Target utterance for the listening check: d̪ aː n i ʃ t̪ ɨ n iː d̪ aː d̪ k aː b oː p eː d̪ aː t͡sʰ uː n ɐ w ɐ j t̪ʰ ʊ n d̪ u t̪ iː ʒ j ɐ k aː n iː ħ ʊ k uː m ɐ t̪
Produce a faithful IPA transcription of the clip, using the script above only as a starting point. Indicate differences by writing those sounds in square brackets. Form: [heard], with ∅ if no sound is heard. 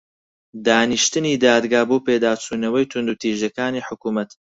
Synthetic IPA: d̪ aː n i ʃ t̪ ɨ n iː d̪ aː d̪ [ɡ] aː b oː p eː d̪ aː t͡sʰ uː n ɐ w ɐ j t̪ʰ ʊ n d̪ u t̪ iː ʒ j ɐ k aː n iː ħ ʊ k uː m ɐ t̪